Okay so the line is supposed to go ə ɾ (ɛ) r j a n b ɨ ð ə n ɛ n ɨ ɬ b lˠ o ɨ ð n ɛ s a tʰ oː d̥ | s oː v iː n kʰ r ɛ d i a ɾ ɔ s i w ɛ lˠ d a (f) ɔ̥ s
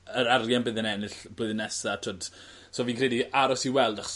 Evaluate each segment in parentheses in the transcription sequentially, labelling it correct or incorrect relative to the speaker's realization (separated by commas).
incorrect, incorrect